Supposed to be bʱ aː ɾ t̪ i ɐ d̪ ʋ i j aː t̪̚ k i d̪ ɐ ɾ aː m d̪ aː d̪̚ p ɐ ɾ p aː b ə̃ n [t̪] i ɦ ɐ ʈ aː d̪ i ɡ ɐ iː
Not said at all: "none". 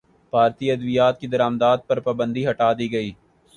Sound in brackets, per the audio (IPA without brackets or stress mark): d̪